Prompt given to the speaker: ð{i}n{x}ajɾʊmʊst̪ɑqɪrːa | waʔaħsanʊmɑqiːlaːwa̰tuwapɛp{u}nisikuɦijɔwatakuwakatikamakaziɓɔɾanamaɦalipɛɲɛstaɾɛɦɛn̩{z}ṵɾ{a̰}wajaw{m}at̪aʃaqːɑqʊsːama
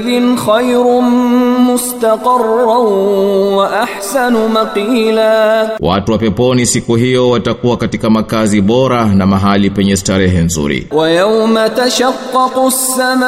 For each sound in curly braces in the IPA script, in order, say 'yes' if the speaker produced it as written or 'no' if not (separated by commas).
no, yes, no, yes, no, yes